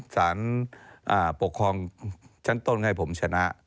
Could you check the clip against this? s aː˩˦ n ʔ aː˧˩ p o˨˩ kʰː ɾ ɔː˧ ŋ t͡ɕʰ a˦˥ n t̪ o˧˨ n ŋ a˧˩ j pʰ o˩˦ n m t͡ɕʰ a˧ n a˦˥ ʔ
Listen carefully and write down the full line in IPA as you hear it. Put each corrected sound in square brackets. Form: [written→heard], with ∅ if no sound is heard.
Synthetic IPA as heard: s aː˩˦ n ʔ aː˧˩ p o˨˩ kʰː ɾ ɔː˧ ŋ t͡ɕʰ a˦˥ n t̪ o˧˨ n ŋ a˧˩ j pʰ o˩˦ [n→∅] m t͡ɕʰ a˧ n a˦˥ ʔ